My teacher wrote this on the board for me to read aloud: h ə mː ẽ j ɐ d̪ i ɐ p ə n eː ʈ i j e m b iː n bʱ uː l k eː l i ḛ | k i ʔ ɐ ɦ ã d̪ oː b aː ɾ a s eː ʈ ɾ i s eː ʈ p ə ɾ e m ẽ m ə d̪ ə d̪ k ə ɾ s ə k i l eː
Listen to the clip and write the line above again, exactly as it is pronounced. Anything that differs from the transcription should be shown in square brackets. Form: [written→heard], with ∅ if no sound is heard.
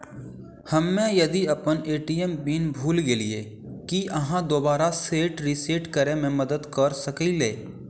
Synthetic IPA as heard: h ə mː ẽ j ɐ d̪ i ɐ p ə n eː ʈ i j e m b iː n bʱ uː l [k→ɡ] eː l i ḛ | k i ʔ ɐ ɦ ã d̪ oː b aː ɾ a s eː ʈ ɾ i s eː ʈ [p→k] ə ɾ e m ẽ m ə d̪ ə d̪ k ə ɾ s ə k i l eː